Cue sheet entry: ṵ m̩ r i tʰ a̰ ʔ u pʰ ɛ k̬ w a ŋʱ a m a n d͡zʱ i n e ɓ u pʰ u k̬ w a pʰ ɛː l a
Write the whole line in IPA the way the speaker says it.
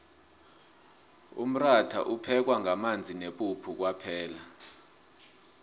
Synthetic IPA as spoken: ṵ m̩ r a tʰ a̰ ʔ u pʰ ɛ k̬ w a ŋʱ a m a n d͡zʱ i n e ɓ u pʰ u k̬ w a pʰ ɛː l a